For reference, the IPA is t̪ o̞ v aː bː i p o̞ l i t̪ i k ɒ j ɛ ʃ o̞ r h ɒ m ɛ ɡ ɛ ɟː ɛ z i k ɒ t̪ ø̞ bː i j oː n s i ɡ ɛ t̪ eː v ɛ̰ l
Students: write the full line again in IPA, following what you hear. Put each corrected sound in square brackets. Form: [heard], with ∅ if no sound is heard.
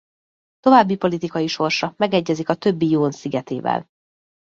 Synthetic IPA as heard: t̪ o̞ v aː bː i p o̞ l i t̪ i k ɒ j [i] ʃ o̞ r [ʃ] ɒ m ɛ ɡ ɛ ɟː ɛ z i k ɒ t̪ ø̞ bː i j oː n s i ɡ ɛ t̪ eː v ɛ̰ l